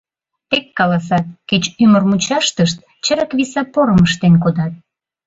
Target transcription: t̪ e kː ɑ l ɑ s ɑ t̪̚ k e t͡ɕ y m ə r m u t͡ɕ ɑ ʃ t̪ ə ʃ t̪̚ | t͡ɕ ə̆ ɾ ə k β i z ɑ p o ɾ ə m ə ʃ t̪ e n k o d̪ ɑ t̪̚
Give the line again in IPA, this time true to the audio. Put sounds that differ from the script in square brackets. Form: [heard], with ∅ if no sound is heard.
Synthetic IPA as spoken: t̪ e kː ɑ l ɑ s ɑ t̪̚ k e t͡ɕ y m ə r m u t͡ɕ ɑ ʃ t̪ ə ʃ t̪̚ | t͡ɕ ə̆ ɾ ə k β i [s] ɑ p o ɾ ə m ə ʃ t̪ e n k o d̪ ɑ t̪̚